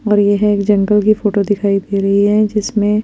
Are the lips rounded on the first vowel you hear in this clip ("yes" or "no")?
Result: yes